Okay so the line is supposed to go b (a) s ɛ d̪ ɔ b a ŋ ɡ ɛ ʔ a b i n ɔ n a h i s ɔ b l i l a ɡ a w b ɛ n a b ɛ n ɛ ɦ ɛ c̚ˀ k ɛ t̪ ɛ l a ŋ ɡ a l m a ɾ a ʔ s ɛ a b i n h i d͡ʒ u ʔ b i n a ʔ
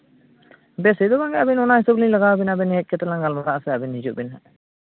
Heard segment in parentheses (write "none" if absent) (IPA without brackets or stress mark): ɛ